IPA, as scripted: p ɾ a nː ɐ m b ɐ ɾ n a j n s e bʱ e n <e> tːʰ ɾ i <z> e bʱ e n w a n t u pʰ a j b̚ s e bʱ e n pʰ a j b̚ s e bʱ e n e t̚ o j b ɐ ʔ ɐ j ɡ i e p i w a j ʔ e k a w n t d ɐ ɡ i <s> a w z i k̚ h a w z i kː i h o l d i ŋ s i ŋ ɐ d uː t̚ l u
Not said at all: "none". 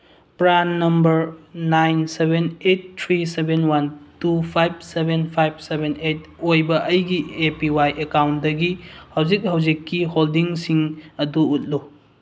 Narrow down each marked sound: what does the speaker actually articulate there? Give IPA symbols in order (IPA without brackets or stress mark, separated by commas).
e, s, h